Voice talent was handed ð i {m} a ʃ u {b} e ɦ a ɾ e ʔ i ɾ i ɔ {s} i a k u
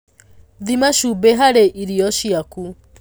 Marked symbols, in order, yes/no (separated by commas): yes, yes, no